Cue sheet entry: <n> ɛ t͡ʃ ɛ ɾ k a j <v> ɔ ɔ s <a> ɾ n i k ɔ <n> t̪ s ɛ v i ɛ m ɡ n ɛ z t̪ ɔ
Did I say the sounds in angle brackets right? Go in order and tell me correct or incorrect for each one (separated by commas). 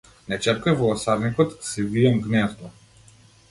correct, correct, correct, incorrect